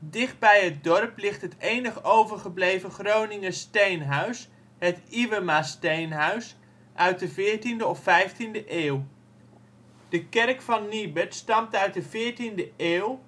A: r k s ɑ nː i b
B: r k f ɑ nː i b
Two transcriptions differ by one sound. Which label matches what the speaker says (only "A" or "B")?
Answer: B